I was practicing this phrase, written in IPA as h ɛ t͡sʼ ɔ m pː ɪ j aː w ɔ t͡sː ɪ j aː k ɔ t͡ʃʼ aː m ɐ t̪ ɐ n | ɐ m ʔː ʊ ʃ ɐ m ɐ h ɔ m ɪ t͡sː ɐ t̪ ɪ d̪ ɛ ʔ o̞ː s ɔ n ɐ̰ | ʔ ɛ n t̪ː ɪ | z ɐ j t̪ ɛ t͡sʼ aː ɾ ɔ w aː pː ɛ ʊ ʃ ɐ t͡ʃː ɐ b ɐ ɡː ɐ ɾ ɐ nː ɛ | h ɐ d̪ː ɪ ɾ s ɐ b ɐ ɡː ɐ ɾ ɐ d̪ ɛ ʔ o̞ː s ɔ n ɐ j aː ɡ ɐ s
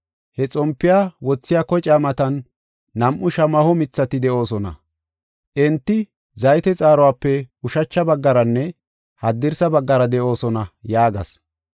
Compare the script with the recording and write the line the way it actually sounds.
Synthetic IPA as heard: h ɛ t͡sʼ ɔ m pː ɪ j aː w ɔ t͡sː ɪ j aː k ɔ t͡ʃʼ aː m ɐ t̪ ɐ nː | ɐ m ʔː ʊ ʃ ɐ m ɐ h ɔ m ɪ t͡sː ɐ t̪ ɪ d̪ ɛ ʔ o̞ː s ɔ n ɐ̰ | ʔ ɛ n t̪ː ɪ | z ɐ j t̪ ɛ t͡sʼ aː ɾ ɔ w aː pː ɛ ʊ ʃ ɐ t͡ʃː ɐ b ɐ ɡː ɐ ɾ ɐ nː ɛ | h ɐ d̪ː ɪ ɾ s ɐ b ɐ ɡː ɐ ɾ ɐ d̪ ɛ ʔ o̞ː s ɔ n ɐ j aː ɡ ɐ s